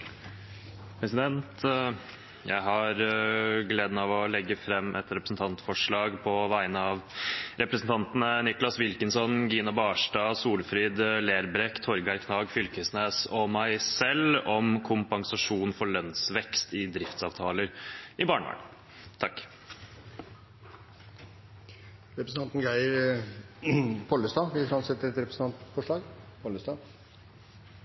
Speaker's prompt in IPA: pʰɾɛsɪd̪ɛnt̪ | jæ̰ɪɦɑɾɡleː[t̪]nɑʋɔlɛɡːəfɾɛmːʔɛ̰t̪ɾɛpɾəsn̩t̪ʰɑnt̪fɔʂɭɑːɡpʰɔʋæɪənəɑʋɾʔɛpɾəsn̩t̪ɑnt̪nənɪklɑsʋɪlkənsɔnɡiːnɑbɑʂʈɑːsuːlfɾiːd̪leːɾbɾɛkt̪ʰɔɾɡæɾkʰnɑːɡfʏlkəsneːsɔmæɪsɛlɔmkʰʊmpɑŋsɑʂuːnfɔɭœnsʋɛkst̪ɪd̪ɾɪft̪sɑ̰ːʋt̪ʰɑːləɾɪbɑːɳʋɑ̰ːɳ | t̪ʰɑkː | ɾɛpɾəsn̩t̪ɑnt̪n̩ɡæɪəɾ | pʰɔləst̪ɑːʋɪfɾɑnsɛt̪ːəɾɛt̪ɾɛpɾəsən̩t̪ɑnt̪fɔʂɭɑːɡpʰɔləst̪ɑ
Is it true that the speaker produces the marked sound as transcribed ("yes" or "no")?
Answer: no